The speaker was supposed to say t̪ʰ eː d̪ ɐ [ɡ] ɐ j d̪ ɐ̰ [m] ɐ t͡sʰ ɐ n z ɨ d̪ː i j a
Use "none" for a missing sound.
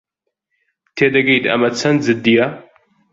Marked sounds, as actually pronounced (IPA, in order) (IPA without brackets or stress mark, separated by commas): ɡ, m